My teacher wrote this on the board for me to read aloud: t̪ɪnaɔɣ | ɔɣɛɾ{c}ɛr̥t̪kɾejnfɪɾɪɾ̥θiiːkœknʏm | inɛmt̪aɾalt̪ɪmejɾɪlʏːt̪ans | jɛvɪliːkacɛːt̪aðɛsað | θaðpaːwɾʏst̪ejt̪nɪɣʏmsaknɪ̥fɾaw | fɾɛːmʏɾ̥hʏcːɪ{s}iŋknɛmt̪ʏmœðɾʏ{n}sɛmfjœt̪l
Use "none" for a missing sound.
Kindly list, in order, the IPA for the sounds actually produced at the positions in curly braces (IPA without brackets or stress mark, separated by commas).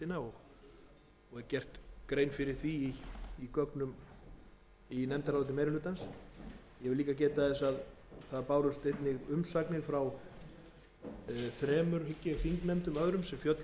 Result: c, f, m